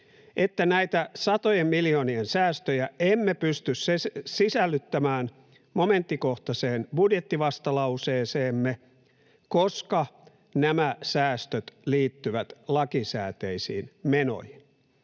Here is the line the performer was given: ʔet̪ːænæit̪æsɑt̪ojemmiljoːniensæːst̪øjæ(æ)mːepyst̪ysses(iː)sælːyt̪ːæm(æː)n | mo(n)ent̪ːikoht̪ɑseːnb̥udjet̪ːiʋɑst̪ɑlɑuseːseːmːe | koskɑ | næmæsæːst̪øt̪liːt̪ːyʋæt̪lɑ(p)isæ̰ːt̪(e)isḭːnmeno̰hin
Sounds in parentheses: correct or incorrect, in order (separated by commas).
incorrect, incorrect, correct, incorrect, incorrect, correct